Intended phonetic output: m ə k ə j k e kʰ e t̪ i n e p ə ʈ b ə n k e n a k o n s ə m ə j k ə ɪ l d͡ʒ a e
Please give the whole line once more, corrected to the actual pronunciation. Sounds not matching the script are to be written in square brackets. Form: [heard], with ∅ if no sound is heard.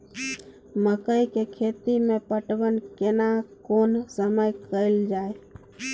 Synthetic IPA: m ə k ə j k e kʰ e t̪ i [m] e p ə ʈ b ə n k e n a k o n s ə m ə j k ə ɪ l d͡ʒ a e